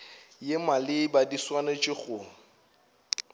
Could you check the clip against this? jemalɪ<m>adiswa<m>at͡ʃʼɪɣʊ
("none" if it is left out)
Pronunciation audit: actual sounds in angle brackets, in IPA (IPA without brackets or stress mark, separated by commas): b, n